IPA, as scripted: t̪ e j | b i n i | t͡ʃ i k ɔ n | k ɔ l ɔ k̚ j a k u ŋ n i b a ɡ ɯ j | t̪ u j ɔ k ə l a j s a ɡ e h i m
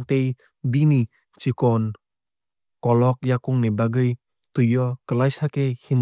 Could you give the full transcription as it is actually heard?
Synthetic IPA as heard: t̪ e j | b i n i | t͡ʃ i k ɔ n | k ɔ l ɔ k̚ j a k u ŋ n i b a ɡ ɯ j | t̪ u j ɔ k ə l a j s a k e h i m

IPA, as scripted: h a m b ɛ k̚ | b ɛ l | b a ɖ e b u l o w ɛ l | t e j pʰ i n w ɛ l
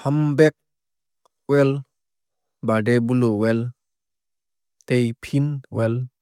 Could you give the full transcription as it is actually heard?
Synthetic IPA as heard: h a m b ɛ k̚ | w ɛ l | b a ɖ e b u l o w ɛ l | t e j pʰ i n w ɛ l

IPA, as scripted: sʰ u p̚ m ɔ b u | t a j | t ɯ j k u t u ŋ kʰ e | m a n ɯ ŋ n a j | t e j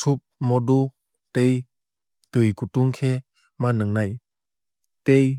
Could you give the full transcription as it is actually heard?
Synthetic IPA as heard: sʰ u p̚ m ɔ d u | t e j | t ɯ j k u t u ŋ kʰ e | m a n ɯ ŋ n a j | t e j

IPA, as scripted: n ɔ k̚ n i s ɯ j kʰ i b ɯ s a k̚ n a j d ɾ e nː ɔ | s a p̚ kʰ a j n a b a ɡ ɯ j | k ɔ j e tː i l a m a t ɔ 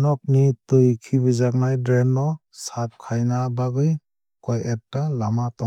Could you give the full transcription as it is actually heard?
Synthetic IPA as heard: n ɔ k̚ n i t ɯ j kʰ i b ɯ z a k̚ n a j d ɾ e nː ɔ | s a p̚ kʰ a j n a b a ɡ ɯ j | k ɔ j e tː a l a m a t ɔ

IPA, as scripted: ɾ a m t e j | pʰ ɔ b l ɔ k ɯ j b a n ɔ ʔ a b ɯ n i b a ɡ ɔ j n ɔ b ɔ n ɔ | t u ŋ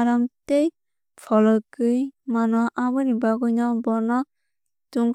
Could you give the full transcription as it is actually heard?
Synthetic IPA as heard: ɾ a m t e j | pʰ ɔ l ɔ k ɯ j m a n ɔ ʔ a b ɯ n i b a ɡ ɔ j n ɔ b ɔ n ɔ | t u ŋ

